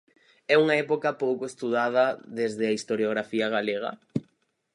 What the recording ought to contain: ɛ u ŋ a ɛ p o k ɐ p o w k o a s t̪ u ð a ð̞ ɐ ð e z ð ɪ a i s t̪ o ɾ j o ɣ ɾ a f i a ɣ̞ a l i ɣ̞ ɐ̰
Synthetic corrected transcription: ɛ u ŋ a ɛ p o k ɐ p o w k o e s t̪ u ð a ð̞ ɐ ð e z ð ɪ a i s t̪ o ɾ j o ɣ ɾ a f i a ɣ̞ a l e ɣ̞ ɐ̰